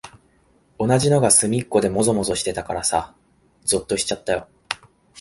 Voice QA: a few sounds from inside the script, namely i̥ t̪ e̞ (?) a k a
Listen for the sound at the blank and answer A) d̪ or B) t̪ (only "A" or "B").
B